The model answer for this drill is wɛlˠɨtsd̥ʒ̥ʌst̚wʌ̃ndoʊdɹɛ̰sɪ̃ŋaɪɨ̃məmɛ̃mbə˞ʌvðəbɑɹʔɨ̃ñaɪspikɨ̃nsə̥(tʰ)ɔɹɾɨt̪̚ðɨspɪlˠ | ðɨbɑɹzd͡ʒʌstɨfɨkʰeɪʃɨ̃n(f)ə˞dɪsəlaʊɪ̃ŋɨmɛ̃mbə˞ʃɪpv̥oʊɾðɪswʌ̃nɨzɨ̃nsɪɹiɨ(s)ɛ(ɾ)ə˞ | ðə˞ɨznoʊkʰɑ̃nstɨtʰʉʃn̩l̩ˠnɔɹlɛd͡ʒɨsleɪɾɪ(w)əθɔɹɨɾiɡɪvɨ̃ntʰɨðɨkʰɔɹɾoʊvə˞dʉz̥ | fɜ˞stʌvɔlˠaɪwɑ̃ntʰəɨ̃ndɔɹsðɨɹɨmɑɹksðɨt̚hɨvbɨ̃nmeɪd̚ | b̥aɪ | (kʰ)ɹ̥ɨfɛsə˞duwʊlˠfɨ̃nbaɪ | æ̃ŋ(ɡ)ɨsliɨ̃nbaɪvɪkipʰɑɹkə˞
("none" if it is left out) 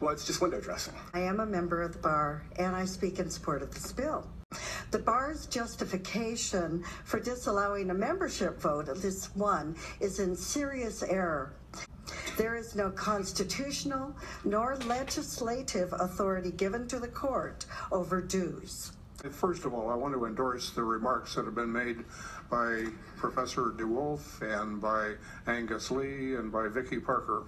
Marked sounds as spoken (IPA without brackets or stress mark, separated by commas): pʰ, f, s, ɹ, v, pʰ, ɡ